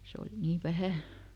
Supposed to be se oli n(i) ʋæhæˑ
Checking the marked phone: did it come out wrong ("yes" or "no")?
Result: yes